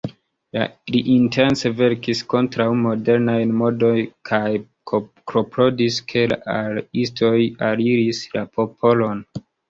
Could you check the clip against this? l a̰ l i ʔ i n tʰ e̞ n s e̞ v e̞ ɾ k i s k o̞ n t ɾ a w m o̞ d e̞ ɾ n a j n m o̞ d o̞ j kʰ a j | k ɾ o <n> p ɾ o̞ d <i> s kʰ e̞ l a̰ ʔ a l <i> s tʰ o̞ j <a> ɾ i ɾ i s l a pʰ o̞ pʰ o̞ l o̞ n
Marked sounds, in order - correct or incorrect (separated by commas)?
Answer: incorrect, correct, correct, correct